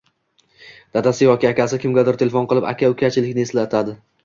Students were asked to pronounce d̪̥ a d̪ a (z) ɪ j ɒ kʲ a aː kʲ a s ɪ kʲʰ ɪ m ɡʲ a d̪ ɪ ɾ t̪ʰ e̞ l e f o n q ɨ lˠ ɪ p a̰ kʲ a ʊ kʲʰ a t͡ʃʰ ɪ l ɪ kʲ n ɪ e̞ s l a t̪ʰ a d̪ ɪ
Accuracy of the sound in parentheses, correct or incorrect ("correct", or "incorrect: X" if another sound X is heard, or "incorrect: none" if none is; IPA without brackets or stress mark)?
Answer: incorrect: s